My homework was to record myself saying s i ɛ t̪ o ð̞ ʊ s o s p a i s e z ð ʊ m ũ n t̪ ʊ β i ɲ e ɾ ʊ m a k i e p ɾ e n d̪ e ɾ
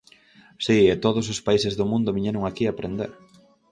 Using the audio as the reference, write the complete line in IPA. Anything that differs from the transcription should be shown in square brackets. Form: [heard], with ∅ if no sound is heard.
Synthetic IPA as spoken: s i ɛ t̪ o ð̞ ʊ s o s p a i s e z ð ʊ m ũ n [d̪] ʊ β i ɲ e ɾ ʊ [ŋ] a k i [a] p ɾ e n d̪ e ɾ